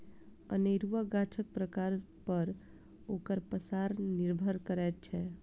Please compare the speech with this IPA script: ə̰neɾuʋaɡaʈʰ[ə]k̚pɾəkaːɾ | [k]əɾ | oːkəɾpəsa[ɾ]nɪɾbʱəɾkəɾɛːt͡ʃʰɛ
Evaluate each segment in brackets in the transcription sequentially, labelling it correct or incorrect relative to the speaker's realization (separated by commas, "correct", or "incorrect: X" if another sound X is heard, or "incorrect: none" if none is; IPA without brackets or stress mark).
correct, incorrect: p, correct